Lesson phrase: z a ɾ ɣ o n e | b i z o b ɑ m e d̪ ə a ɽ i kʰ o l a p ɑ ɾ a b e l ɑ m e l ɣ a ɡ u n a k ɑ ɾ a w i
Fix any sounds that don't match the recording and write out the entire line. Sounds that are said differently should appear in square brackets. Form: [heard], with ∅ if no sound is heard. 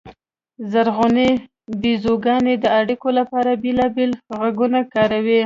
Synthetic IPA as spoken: z a ɾ ɣ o n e | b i z o [ɡ] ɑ [n] e d̪ ə a ɽ i [k] o l a p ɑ ɾ a b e l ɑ [b] e l ɣ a ɡ u n a k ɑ ɾ a w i